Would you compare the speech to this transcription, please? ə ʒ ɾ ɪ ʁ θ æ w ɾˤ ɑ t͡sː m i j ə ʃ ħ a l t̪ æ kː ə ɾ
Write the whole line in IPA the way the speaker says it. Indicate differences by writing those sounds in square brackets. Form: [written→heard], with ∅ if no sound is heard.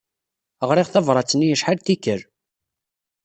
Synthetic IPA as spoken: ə [ʒ→ʁ] ɾ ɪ ʁ θ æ [w→v] ɾˤ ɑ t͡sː [m→n] i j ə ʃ ħ a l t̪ [æ→i] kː ə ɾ